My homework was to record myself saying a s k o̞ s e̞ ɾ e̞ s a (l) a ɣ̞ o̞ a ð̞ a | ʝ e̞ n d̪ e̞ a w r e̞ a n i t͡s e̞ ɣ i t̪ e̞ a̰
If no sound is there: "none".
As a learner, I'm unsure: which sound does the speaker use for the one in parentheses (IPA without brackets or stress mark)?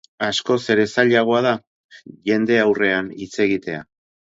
ʎ